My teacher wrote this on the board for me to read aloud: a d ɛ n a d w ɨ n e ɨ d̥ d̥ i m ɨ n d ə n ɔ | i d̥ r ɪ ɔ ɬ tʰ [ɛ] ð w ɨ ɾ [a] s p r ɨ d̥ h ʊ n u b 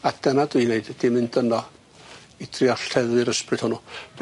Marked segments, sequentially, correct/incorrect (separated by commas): correct, incorrect